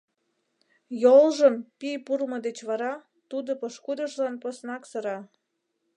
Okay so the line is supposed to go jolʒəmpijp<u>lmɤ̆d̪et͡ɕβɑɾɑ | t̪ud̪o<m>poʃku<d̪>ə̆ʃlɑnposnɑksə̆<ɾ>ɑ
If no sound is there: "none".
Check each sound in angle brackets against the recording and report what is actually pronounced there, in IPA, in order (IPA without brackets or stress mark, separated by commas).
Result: u, none, d̪, ɾ